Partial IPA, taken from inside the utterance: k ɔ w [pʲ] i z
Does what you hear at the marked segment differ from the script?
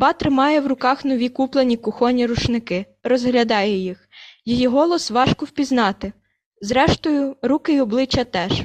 no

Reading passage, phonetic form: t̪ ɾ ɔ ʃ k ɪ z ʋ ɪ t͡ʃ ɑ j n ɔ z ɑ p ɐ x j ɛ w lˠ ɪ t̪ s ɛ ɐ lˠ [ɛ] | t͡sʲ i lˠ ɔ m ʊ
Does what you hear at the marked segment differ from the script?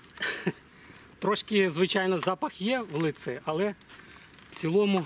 no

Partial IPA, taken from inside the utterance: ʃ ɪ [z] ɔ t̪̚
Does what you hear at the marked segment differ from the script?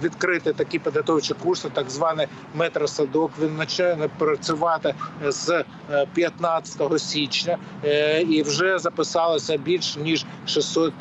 yes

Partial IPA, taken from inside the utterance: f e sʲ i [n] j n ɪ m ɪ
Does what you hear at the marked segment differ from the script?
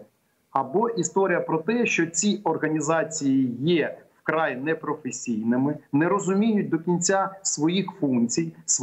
yes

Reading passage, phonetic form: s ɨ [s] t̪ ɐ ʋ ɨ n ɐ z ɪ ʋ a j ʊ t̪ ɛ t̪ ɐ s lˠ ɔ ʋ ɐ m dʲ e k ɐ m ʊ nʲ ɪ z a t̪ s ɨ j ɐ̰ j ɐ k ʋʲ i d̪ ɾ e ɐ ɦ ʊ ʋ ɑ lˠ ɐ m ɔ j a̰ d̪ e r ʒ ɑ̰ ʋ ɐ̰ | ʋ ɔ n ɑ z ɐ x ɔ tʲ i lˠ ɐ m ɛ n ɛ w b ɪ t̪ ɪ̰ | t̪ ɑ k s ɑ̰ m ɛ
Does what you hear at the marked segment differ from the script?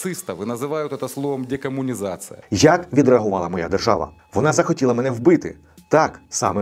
no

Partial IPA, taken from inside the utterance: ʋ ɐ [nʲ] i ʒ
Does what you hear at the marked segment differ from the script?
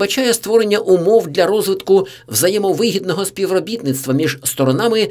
yes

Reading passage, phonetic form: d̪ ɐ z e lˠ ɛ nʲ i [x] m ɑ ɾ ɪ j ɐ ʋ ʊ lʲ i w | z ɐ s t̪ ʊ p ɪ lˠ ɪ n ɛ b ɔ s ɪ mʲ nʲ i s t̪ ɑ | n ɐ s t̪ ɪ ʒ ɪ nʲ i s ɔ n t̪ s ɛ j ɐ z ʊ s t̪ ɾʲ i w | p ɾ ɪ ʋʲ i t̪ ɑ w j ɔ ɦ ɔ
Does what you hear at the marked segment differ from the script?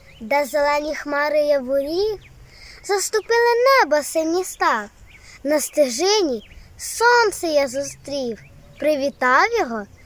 no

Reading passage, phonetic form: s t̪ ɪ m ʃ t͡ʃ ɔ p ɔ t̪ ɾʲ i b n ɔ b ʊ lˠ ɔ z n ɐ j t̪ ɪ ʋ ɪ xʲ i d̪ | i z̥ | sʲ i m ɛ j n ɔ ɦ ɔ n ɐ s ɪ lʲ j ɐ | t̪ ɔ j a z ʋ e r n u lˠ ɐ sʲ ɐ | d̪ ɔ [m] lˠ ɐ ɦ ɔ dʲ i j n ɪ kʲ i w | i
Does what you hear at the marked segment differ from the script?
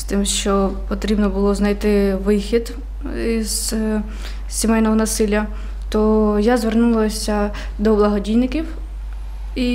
yes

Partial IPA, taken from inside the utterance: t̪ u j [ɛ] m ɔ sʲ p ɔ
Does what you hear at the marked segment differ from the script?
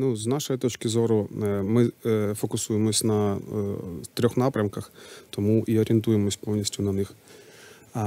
yes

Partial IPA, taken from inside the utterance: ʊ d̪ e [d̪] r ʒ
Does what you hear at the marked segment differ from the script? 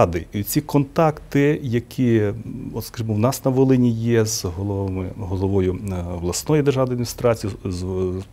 yes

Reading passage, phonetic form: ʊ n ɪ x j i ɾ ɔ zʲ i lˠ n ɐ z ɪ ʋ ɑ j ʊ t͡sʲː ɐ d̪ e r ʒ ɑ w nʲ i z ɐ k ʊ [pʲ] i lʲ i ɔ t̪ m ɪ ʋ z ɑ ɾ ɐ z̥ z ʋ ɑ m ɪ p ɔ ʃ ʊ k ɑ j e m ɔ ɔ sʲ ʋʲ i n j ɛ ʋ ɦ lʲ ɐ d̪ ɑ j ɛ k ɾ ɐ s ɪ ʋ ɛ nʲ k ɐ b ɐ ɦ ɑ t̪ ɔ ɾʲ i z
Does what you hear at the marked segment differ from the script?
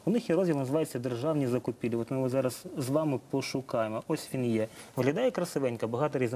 no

